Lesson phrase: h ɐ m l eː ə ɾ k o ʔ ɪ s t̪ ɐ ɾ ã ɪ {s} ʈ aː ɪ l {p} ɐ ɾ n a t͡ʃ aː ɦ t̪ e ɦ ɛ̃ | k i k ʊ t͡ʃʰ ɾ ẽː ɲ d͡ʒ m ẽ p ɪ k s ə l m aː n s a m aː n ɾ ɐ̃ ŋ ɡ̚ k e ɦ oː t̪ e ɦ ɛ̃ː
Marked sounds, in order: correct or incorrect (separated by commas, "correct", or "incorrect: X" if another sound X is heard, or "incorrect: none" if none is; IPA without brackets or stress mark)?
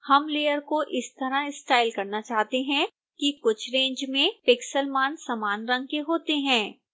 correct, incorrect: k